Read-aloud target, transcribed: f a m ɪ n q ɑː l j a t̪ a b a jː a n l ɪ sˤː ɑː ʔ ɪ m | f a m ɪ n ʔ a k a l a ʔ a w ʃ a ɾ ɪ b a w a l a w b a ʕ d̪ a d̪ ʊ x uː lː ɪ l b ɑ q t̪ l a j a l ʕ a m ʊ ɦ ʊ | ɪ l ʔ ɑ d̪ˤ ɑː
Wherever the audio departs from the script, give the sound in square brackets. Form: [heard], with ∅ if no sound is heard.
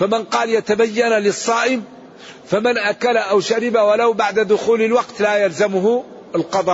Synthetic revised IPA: f a m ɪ n q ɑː l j a t̪ a b a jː a n l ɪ sˤː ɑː ʔ ɪ m | f a m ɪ n ʔ a k a l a ʔ a w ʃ a ɾ ɪ b a w a l a w b a ʕ d̪ a d̪ ʊ x uː [l] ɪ l [w] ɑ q t̪ l a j a l [z] a m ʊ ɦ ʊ | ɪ l [q] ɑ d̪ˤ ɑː